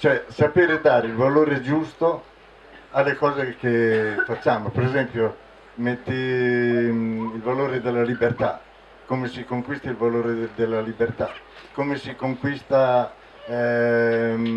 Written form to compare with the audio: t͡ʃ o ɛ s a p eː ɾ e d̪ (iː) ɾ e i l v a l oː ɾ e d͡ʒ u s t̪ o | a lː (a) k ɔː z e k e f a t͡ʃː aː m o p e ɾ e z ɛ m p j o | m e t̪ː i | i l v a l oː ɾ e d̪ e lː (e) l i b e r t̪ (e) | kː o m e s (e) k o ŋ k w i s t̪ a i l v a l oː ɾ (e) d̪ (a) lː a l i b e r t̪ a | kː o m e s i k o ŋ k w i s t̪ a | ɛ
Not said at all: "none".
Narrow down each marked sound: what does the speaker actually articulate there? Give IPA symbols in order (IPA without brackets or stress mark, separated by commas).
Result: aː, e, a, a, i, e, e